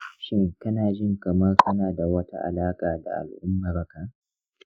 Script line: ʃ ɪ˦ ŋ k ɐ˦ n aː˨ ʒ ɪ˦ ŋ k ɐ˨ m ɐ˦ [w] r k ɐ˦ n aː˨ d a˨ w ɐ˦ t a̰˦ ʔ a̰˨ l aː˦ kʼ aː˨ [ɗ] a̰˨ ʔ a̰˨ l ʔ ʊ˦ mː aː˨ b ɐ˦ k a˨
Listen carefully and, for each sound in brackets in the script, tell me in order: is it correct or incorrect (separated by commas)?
incorrect, incorrect